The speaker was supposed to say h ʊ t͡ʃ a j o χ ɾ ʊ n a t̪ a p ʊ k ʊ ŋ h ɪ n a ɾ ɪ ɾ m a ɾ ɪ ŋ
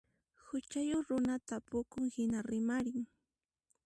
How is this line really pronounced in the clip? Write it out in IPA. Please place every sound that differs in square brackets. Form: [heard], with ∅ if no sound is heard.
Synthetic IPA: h ʊ t͡ʃ a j o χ ɾ ʊ n a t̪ a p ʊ k ʊ ŋ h ɪ n a ɾ ɪ [∅] m a ɾ ɪ ŋ